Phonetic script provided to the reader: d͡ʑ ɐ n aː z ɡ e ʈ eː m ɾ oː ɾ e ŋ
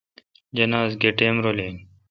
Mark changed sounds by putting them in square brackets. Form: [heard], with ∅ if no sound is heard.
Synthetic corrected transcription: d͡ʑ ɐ n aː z ɡ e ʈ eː m ɾ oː [l] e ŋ